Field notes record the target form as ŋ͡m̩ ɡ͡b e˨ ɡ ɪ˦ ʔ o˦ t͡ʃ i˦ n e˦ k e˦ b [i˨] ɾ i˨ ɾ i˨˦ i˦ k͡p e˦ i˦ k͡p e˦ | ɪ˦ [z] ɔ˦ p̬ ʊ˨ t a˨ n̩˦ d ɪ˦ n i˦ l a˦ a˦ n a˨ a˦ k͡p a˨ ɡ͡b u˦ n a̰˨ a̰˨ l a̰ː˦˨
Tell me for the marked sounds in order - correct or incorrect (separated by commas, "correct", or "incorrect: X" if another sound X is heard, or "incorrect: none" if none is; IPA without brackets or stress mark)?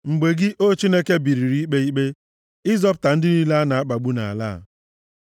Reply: correct, correct